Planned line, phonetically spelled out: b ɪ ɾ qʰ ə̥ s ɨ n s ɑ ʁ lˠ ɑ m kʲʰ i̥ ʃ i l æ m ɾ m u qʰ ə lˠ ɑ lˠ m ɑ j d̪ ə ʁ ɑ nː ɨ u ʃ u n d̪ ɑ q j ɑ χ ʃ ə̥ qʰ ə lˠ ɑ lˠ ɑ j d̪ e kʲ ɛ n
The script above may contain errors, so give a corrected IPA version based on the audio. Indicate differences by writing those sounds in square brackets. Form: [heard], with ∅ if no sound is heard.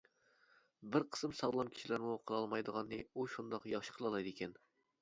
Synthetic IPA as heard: b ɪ ɾ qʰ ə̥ s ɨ [m] s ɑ ʁ lˠ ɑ m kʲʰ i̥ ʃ i l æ [∅] ɾ m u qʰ ə lˠ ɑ lˠ m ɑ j d̪ ə ʁ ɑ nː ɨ u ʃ u n d̪ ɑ q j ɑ χ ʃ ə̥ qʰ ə lˠ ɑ lˠ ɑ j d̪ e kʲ ɛ n